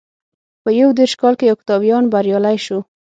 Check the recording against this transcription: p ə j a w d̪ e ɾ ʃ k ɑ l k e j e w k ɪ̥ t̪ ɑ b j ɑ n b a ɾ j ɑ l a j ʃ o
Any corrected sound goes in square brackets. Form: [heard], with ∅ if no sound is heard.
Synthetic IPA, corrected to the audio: p ə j a w d̪ e ɾ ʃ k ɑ l k e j [a] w k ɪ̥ t̪ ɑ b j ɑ n b a ɾ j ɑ l a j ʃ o